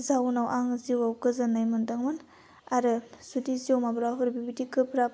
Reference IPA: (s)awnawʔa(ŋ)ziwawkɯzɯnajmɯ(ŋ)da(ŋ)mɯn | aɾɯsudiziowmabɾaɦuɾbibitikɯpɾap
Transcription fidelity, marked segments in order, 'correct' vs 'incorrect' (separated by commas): incorrect, correct, incorrect, correct